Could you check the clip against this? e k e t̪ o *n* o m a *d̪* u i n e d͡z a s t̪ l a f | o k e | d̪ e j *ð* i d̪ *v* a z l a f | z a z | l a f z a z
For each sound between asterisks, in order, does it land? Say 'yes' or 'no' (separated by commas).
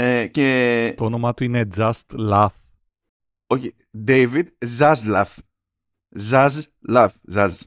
yes, no, no, no